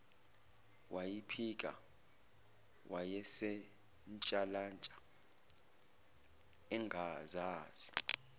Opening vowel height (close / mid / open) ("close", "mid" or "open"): open